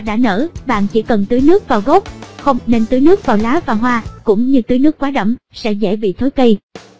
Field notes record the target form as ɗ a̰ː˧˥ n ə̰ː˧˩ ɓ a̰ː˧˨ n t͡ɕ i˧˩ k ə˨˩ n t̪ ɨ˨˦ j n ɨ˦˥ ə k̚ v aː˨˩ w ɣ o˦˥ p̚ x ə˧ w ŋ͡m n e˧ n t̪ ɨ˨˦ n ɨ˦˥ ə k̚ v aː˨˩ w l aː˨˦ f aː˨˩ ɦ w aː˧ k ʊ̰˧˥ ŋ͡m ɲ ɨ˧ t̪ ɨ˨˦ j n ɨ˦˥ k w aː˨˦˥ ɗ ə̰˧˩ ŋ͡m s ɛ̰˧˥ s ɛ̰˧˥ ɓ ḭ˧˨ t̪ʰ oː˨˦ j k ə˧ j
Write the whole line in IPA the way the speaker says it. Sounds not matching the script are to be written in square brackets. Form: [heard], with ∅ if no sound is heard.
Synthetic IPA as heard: ɗ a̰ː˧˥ n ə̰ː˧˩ ɓ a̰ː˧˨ n t͡ɕ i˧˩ k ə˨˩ n t̪ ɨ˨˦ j n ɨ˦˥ ə k̚ v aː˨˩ w ɣ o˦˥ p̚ x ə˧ w ŋ͡m n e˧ n t̪ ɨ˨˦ n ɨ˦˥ ə k̚ v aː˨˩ w l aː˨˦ [v] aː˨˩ ɦ w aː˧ k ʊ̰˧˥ ŋ͡m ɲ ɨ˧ t̪ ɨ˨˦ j n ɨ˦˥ k w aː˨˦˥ ɗ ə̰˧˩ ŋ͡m s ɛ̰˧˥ [z] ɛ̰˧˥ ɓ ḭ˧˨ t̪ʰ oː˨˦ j k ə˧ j